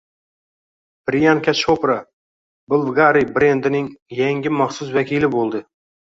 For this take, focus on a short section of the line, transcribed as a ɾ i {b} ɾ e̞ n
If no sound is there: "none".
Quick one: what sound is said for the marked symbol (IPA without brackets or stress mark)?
b